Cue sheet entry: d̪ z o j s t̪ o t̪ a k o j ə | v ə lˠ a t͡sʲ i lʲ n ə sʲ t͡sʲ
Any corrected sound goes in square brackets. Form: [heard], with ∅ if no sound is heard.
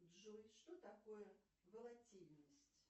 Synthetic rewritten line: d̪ [ʐ] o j [ʂ] t̪ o t̪ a k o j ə | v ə lˠ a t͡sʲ i lʲ n ə sʲ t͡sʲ